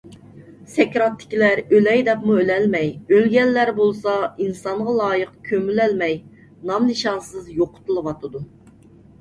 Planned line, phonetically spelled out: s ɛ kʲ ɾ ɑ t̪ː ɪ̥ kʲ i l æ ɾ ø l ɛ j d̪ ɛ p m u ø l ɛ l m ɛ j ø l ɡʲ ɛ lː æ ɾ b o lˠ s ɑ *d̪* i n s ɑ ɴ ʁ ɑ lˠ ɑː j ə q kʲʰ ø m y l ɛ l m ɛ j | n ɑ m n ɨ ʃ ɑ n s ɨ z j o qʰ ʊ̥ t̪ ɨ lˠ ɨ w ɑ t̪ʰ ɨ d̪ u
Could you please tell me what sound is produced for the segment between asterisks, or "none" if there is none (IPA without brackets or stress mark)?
none